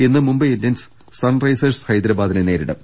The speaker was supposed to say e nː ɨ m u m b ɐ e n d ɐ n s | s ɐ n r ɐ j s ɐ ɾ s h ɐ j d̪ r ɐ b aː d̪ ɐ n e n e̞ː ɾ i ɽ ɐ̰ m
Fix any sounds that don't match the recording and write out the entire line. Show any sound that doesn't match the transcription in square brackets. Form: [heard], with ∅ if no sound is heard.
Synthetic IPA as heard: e nː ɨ m u m b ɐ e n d ɐ n s | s ɐ n r ɐ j s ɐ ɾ s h ɐ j d̪ [ɾ] ɐ b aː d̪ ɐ n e n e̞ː ɾ i ɽ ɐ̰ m